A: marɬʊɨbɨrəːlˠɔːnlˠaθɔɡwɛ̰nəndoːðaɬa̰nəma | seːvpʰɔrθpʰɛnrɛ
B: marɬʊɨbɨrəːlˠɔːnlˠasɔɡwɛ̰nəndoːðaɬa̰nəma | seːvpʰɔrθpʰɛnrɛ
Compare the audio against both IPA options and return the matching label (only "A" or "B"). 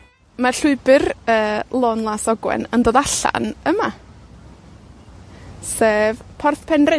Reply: B